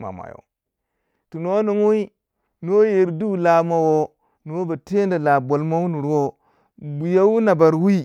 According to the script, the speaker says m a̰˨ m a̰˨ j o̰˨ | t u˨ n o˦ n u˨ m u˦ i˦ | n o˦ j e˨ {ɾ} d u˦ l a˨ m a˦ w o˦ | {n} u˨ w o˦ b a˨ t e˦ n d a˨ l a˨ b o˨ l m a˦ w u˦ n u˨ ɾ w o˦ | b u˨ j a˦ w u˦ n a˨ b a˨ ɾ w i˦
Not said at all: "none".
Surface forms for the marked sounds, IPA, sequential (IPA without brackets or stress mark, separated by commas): ɾ, n